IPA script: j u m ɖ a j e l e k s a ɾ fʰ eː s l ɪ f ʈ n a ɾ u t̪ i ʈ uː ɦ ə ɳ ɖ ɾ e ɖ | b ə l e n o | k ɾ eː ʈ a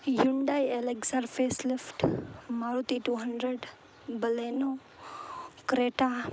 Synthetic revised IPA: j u ɳ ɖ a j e l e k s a ɾ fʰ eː s l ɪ f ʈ m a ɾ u t̪ i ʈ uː ɦ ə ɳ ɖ ɾ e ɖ | b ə l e n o | k ɾ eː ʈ a